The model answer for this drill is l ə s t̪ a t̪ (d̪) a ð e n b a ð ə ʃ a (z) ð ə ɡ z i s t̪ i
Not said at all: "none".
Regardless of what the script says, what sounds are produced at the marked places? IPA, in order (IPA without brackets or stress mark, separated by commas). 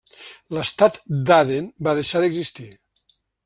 d̪, none